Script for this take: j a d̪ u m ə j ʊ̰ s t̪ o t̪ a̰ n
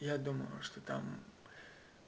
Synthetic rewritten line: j a d̪ u m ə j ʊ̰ ʂ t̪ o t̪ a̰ m